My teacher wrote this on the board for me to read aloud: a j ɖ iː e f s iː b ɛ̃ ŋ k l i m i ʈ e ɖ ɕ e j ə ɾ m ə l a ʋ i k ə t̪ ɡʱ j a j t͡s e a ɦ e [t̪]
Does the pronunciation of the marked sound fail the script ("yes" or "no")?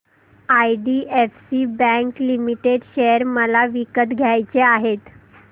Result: no